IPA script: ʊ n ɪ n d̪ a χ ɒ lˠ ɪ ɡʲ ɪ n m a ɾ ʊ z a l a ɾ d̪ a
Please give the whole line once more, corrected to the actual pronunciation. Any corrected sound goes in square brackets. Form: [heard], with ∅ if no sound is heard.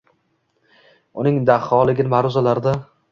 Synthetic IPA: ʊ n ɪ [ŋ] d̪ a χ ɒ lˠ ɪ ɡʲ ɪ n m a ɾ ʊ z a l a ɾ d̪ a